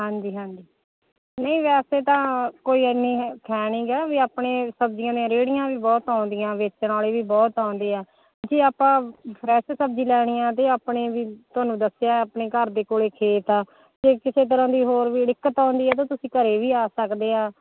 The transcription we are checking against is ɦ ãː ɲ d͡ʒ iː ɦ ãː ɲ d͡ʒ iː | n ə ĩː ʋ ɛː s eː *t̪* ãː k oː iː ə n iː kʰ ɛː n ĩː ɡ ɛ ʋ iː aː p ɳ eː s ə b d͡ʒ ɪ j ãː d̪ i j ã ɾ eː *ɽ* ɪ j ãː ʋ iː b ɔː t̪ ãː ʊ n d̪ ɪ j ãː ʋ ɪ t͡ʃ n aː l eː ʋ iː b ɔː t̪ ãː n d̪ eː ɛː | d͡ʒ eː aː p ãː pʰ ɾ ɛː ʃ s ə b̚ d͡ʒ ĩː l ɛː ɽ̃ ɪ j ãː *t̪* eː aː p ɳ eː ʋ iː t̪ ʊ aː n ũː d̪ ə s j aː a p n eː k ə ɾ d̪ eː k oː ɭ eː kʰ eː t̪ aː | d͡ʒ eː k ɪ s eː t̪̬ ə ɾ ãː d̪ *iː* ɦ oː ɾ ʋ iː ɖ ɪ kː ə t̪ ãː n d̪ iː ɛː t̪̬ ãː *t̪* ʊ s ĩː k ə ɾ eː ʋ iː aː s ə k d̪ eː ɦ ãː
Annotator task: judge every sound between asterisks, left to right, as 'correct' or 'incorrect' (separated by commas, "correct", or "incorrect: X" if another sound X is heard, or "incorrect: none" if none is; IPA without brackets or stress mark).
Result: correct, correct, correct, correct, correct